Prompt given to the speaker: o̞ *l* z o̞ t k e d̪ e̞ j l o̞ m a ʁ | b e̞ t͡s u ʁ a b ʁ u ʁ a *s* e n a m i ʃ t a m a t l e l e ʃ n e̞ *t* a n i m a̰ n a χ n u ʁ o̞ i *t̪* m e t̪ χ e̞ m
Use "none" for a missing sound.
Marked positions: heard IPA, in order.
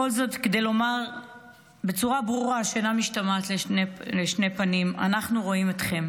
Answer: l, ʃ, p, none

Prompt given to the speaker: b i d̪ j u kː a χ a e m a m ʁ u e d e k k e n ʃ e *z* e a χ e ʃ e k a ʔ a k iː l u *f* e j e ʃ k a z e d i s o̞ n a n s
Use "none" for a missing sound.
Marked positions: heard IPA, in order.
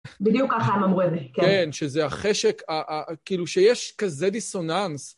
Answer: z, ʃ

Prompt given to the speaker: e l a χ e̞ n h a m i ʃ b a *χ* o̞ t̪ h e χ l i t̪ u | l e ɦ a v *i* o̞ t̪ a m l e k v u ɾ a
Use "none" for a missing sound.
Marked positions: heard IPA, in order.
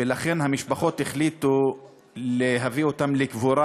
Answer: χ, i

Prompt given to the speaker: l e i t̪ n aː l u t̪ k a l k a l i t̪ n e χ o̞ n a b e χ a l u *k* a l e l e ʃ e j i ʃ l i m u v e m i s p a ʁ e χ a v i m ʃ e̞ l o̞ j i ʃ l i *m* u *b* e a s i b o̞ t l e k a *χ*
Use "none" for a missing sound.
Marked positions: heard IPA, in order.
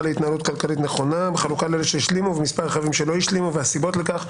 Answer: k, m, v, χ

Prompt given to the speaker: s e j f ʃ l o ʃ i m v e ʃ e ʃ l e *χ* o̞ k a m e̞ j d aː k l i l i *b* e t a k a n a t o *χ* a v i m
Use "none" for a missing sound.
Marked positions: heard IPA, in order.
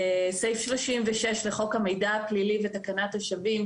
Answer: χ, v, ʃ

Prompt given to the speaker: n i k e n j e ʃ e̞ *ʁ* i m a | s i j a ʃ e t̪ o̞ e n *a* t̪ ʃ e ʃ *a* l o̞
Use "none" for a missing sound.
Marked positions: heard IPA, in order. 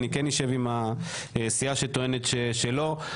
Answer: v, e, e

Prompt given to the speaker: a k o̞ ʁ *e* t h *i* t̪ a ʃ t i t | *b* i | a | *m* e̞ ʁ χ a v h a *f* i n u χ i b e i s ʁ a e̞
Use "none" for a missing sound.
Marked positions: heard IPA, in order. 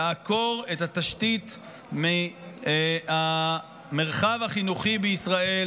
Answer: e, a, m, m, χ

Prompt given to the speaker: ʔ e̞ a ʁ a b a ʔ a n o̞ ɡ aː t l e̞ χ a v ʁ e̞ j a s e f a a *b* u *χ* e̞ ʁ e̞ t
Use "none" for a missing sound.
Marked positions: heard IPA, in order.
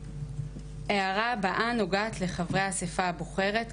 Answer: b, χ

